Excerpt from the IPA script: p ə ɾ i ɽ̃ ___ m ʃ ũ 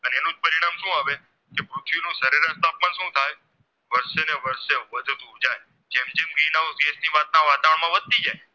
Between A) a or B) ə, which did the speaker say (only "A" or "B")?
A